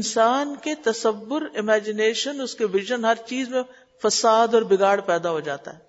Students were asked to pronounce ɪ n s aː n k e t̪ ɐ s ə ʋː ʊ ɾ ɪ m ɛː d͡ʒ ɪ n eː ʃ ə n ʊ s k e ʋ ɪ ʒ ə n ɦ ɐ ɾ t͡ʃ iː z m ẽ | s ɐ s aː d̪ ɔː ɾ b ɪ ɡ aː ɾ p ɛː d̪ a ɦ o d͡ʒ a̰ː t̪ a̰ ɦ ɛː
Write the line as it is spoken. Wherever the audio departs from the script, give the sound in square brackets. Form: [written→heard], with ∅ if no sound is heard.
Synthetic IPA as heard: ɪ n s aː n k e t̪ ɐ s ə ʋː ʊ ɾ ɪ m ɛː d͡ʒ ɪ n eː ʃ ə n ʊ s k e ʋ ɪ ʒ ə n ɦ ɐ ɾ t͡ʃ iː z m ẽ | [s→f] ɐ s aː d̪ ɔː ɾ b ɪ ɡ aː [ɾ→ɽ] p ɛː d̪ a ɦ o d͡ʒ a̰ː t̪ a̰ ɦ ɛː